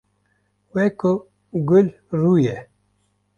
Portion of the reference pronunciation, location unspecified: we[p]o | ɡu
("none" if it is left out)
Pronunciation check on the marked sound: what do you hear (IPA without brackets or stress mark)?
k